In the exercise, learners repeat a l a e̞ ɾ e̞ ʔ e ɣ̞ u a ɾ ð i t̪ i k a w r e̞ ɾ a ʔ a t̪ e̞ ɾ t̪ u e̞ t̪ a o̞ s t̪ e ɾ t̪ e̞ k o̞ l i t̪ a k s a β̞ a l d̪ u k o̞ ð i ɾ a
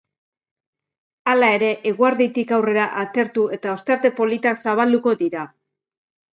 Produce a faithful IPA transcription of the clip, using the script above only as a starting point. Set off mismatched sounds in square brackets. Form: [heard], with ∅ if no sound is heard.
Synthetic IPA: a l a e̞ ɾ e̞ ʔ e ɣ̞ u a ɾ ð i t̪ i k a w r e̞ ɾ a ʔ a t̪ e̞ ɾ t̪ u e̞ t̪ a o̞ s t̪ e ɾ t̪ e̞ [p] o̞ l i t̪ a k s a β̞ a l d̪ u k o̞ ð i ɾ a